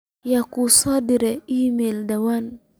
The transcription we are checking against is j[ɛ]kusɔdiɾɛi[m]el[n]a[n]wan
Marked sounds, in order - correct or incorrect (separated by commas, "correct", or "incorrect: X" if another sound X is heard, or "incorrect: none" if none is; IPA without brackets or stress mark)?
incorrect: a, correct, incorrect: d, incorrect: none